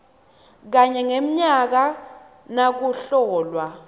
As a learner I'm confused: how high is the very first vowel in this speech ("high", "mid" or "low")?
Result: low